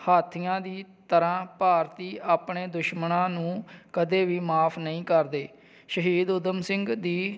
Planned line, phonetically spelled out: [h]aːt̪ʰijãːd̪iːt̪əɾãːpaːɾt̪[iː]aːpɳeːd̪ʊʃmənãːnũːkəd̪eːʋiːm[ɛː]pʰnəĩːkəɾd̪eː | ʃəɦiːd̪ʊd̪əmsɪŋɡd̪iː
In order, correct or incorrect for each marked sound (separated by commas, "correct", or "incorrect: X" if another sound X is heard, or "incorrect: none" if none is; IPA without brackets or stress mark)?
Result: correct, correct, incorrect: aː